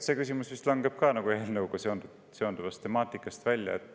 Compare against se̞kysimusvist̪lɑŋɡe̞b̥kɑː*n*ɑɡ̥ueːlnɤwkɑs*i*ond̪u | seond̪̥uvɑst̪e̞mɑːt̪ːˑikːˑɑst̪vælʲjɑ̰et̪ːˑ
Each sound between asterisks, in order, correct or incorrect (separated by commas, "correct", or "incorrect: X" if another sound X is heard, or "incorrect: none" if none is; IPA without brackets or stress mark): correct, incorrect: e